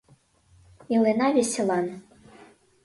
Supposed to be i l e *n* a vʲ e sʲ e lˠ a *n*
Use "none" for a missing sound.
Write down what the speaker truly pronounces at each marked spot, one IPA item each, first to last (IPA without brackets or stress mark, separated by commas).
n, n